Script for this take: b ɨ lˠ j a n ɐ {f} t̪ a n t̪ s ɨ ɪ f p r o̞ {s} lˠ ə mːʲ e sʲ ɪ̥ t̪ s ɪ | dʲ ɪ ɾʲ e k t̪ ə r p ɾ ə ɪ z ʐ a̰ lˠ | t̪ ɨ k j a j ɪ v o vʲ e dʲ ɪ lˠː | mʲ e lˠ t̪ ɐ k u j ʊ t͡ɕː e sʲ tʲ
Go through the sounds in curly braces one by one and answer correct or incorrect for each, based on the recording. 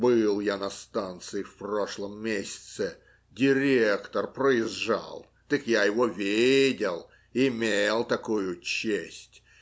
incorrect: s, incorrect: ʂ

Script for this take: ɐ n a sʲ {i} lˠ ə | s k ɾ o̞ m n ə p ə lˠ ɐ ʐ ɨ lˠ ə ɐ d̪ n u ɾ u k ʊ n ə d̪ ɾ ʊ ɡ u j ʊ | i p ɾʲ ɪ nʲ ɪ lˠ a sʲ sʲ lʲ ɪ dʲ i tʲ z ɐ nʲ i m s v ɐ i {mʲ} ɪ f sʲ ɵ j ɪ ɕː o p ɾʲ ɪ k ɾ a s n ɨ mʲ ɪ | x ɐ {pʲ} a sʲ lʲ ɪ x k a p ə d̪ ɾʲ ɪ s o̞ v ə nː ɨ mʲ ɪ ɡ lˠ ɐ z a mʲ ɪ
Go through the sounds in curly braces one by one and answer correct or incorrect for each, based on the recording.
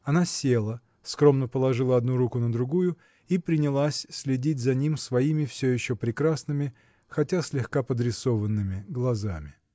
incorrect: e, correct, incorrect: tʲ

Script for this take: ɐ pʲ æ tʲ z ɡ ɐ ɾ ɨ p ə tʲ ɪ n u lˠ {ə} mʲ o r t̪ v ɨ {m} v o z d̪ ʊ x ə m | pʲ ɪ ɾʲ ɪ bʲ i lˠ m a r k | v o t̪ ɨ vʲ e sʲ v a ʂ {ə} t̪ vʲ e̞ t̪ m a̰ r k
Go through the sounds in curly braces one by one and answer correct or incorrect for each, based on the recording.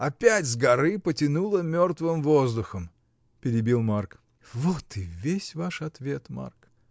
correct, correct, incorrect: ɐ

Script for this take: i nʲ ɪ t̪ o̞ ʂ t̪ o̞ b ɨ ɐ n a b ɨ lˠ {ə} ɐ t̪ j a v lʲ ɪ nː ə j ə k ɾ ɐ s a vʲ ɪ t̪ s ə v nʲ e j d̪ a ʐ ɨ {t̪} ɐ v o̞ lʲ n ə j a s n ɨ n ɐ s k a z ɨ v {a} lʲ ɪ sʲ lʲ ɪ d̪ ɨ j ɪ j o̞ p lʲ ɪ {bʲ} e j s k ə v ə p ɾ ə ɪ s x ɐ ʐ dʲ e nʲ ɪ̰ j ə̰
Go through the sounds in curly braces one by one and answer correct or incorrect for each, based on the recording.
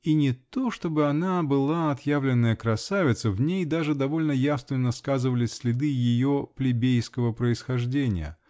incorrect: a, incorrect: d̪, incorrect: ə, correct

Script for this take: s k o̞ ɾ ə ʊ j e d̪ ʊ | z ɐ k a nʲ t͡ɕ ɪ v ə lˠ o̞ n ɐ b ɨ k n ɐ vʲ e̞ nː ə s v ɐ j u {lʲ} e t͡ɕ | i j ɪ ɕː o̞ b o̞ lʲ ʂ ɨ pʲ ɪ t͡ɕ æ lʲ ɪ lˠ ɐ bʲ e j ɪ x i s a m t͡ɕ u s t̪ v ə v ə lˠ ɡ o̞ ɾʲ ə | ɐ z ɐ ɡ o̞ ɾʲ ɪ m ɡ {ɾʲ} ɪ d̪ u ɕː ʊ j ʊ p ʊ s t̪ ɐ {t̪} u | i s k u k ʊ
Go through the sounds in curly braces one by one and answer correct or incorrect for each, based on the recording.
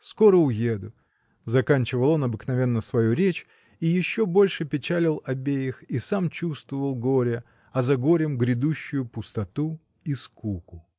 incorrect: ɾʲ, correct, correct

